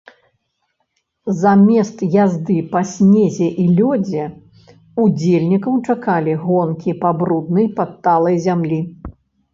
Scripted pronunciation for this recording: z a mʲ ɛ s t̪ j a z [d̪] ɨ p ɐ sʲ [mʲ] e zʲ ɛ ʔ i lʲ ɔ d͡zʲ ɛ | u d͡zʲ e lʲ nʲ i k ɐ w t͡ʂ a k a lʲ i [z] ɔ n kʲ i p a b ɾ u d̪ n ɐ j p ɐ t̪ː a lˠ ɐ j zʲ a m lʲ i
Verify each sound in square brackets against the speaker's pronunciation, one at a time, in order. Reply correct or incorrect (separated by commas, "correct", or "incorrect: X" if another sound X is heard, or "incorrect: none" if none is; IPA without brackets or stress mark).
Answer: correct, incorrect: nʲ, incorrect: ɣ